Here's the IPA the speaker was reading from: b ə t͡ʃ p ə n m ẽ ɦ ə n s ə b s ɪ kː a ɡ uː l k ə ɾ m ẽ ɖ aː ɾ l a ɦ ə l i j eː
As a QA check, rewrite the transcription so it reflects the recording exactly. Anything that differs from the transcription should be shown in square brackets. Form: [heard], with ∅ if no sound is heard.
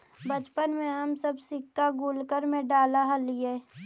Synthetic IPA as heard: b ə t͡ʃ p ə n m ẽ ɦ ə [m] s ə b s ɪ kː a ɡ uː l k ə ɾ m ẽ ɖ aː [∅] l a ɦ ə l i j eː